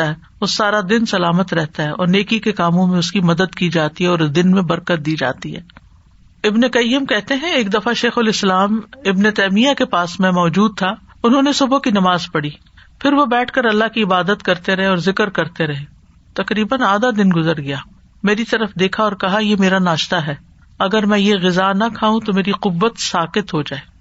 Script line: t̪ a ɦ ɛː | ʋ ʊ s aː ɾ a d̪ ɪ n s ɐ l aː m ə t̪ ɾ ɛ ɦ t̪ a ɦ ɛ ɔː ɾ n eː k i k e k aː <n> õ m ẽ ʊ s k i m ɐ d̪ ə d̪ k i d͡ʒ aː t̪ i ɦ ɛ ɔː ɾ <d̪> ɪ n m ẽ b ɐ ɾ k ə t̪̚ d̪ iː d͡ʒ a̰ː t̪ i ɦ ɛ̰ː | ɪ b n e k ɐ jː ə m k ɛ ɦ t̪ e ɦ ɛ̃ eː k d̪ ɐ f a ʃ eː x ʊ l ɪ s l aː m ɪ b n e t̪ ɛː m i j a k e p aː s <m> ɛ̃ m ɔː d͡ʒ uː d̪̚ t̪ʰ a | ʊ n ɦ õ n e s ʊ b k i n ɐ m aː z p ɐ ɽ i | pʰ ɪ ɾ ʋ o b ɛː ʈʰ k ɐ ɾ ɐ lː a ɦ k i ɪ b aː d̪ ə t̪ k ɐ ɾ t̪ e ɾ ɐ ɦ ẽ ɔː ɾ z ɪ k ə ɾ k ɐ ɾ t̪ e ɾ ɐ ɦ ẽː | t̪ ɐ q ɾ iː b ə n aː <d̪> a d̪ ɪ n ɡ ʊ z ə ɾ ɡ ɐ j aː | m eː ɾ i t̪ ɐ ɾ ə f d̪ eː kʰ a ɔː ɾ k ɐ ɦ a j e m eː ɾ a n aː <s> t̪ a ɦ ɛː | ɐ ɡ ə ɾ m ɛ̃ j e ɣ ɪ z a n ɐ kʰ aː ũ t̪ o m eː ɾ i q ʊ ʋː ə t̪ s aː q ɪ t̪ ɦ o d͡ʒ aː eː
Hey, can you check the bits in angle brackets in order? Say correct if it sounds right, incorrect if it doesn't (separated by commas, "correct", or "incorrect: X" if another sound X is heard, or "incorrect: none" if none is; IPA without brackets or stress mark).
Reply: incorrect: m, correct, correct, correct, incorrect: ʃ